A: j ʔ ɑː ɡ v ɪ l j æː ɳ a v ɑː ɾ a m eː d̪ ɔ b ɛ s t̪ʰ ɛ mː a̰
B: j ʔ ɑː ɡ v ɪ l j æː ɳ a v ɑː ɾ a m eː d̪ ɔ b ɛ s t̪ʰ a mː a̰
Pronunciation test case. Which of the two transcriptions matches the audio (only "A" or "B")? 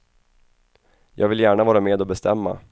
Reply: A